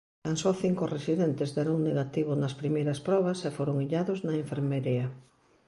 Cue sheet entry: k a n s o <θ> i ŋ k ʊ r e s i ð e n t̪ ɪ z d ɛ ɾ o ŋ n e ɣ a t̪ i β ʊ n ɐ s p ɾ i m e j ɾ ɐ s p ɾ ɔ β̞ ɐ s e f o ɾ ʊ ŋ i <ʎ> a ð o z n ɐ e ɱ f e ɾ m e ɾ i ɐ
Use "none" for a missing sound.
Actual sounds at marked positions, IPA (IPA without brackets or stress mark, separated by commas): θ, ʎ